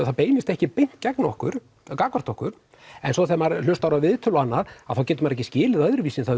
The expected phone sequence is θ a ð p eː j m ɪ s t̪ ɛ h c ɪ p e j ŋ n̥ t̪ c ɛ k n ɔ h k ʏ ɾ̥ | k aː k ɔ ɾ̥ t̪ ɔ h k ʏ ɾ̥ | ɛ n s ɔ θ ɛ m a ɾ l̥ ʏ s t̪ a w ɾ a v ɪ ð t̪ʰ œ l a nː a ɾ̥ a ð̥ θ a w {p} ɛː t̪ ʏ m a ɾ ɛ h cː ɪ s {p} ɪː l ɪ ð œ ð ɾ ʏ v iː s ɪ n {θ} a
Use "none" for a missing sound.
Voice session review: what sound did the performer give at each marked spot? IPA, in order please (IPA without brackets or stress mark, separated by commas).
c, c, θ